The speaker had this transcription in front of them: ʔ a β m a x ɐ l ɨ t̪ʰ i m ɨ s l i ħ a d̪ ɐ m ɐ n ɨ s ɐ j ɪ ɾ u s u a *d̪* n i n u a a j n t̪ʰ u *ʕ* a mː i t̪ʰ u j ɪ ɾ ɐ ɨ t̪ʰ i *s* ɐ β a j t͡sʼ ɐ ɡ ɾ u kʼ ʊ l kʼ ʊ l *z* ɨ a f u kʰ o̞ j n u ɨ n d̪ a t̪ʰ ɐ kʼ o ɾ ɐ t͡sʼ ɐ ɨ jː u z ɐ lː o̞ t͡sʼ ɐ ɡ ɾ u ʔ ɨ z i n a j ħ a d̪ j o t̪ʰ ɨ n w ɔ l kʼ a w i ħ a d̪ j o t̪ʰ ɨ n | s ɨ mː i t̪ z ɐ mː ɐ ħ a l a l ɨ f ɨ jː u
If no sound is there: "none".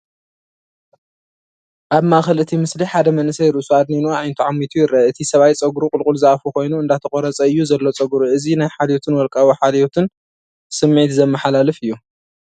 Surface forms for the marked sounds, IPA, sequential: d̪, ʕ, s, z

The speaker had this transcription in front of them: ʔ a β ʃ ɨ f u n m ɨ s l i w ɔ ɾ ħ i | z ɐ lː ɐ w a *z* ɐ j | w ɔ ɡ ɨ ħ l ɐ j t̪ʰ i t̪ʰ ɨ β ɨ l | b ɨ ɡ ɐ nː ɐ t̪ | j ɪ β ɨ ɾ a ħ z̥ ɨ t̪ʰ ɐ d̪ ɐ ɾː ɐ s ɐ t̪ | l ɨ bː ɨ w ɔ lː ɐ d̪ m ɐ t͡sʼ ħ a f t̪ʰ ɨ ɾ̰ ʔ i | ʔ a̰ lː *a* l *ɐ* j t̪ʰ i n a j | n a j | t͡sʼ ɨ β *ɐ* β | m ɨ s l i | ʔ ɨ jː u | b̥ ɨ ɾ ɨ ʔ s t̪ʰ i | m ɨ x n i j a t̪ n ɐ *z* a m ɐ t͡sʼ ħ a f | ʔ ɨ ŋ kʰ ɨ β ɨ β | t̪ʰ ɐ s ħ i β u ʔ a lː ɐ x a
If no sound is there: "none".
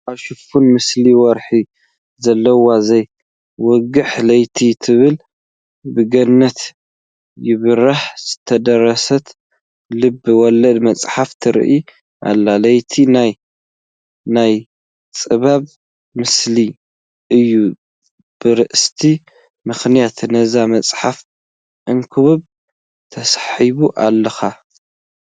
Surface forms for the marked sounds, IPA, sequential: z, a, ɐ, a, z

